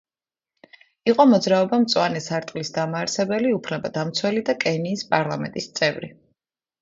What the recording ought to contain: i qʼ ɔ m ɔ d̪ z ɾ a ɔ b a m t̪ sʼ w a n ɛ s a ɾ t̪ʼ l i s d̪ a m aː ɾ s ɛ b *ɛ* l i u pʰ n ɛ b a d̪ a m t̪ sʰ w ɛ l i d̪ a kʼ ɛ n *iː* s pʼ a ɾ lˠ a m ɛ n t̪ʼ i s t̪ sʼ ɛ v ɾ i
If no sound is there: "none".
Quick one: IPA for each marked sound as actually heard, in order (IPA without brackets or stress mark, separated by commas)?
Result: ɛ, iː